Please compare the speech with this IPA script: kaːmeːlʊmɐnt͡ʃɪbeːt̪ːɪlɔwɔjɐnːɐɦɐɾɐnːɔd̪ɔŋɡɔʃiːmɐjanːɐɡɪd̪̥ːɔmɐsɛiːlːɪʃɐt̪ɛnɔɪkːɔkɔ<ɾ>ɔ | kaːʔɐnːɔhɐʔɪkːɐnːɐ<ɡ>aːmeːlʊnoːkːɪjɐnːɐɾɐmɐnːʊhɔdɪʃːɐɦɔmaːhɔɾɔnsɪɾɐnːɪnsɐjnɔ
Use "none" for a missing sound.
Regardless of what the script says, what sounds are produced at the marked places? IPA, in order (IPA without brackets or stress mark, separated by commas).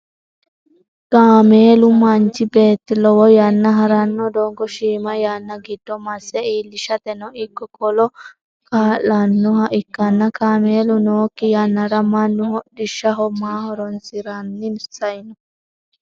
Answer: l, k